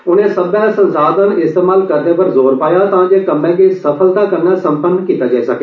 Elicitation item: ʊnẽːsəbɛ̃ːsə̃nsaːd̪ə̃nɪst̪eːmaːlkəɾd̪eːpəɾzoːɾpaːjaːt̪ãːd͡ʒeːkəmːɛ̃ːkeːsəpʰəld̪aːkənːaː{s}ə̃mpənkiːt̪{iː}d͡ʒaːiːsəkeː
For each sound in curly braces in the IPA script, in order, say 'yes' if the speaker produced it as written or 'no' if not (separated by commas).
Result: yes, no